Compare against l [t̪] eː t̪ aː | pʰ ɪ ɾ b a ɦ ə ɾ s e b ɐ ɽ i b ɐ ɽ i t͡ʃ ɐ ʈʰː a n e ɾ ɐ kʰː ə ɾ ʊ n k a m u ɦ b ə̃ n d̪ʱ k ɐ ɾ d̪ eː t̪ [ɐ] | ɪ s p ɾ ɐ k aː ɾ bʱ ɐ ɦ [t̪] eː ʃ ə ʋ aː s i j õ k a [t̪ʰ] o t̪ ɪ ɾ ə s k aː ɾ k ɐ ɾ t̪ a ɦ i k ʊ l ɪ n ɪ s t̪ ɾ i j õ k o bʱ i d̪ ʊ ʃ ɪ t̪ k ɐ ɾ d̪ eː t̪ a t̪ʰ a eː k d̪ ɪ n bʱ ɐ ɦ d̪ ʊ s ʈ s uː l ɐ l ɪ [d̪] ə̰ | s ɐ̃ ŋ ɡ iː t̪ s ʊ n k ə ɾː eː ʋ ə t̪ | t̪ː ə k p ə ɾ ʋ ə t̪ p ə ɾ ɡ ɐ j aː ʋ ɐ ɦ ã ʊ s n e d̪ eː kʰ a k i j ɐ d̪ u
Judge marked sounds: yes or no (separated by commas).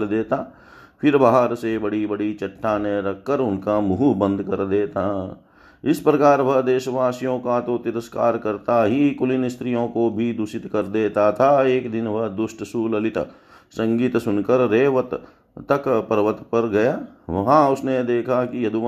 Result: no, no, no, no, no